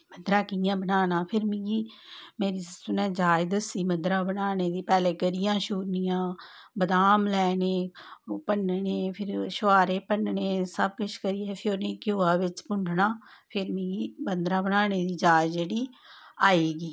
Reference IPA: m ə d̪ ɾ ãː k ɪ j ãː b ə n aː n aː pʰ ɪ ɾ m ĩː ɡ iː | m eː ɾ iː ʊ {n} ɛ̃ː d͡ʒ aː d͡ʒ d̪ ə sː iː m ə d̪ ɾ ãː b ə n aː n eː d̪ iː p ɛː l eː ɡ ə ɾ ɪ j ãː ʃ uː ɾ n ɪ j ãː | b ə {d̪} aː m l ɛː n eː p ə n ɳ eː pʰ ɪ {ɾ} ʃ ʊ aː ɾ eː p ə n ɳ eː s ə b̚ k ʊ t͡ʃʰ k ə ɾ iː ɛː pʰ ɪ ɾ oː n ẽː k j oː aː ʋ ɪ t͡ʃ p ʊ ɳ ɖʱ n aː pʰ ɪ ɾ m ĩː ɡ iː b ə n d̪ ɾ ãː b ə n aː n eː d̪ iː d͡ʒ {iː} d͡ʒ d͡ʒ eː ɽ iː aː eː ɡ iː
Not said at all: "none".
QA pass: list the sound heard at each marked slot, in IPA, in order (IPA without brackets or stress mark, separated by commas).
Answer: n, d̪, ɾ, aː